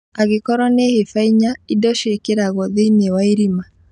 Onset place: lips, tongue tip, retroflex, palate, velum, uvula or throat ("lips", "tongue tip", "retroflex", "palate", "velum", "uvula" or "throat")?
velum